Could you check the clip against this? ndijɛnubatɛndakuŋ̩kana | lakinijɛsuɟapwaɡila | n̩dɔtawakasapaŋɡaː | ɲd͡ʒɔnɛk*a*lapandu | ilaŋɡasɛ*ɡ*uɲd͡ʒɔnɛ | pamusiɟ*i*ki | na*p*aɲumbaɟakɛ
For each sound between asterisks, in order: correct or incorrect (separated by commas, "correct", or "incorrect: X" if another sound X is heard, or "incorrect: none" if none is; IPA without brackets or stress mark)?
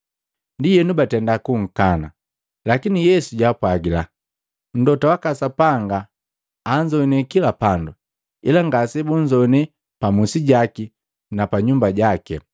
incorrect: i, incorrect: b, incorrect: a, correct